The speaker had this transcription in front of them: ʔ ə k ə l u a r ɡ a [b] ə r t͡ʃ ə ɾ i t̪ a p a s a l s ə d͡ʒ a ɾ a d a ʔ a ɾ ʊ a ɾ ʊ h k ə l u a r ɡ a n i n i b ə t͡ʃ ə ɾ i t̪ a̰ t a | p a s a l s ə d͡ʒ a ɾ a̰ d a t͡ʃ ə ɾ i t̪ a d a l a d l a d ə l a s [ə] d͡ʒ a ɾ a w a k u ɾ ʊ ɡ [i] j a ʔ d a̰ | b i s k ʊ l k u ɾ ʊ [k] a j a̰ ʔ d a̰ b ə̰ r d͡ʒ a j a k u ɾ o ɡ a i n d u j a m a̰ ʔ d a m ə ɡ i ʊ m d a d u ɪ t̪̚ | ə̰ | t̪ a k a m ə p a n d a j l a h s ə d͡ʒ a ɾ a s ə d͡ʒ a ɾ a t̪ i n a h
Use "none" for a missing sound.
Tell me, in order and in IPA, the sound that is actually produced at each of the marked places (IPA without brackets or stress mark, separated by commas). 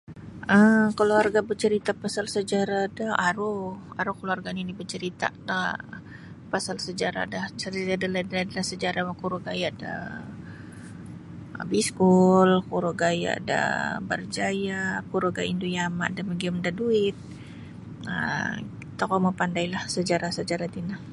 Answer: b, ə, a, ɡ